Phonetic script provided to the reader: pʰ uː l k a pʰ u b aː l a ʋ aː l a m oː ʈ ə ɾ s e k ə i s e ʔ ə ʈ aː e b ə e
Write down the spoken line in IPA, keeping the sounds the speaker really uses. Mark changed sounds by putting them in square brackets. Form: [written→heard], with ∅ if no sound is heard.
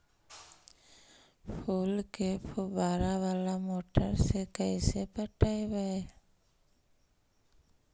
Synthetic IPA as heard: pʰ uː l k [a→e] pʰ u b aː [l→ɾ] a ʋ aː l a m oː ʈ ə ɾ s e k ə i s e [ʔ→p] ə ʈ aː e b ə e